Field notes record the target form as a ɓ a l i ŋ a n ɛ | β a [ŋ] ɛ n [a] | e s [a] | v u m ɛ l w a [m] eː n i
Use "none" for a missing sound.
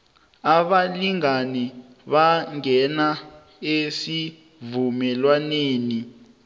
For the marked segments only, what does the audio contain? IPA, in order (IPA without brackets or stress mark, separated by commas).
ŋ, a, i, n